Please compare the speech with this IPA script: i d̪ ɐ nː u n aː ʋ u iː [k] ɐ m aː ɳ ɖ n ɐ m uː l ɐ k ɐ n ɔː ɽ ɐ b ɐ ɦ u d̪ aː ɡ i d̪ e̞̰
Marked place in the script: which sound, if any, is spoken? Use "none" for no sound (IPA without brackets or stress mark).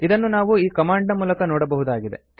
k